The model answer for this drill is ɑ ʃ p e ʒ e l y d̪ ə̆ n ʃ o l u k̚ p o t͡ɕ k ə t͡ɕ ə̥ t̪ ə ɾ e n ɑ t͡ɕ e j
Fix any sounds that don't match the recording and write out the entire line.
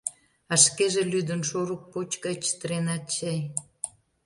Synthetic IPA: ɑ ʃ k e ʒ e l y d̪ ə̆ n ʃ o ɾ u k̚ p o t͡ɕ k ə t͡ɕ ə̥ t̪ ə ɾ e n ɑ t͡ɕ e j